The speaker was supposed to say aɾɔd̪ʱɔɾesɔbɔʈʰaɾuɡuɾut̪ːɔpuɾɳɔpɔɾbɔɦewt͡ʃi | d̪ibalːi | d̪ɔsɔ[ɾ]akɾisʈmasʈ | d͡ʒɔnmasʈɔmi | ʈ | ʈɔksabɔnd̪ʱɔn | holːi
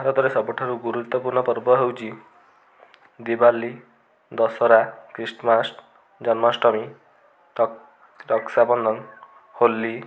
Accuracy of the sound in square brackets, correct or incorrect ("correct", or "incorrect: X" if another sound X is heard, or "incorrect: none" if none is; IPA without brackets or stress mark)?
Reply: correct